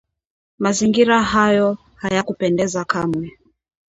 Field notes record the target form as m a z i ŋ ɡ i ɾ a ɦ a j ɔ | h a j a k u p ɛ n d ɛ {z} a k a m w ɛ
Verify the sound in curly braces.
correct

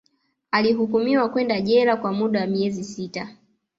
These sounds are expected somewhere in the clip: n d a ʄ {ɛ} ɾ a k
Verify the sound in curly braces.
correct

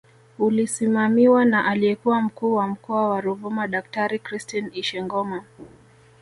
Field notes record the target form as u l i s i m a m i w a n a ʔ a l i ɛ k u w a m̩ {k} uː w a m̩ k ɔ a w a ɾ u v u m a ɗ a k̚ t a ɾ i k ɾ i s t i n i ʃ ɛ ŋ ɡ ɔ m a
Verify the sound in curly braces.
correct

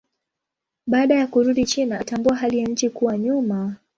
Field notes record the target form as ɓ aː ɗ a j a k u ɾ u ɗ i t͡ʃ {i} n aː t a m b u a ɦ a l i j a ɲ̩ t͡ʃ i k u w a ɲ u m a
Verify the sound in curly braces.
correct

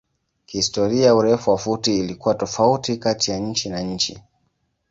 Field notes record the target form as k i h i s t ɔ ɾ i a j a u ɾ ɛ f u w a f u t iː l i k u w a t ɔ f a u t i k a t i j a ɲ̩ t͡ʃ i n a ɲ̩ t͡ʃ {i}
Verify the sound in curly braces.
correct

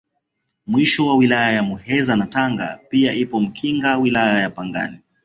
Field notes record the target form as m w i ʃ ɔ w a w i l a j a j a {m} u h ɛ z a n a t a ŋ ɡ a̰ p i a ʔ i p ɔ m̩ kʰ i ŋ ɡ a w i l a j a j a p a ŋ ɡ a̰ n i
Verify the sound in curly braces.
correct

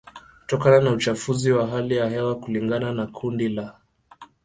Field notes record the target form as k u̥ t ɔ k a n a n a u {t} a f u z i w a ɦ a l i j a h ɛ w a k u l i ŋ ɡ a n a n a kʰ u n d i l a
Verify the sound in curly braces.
incorrect: t͡ʃ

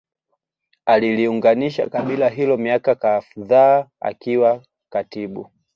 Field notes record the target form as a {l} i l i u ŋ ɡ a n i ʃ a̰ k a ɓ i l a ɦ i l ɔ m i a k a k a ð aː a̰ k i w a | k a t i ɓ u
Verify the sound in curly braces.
correct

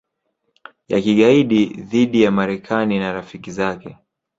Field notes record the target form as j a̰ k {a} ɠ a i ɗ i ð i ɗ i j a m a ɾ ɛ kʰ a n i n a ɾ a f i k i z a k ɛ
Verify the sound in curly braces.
incorrect: i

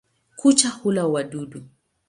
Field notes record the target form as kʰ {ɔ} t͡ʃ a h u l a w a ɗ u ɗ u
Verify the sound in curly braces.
incorrect: u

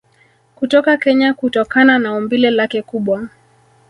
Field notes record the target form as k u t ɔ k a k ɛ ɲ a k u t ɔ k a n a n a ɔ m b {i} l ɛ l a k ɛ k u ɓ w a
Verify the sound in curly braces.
correct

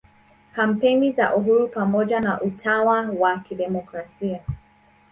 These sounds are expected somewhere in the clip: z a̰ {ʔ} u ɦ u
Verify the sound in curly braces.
correct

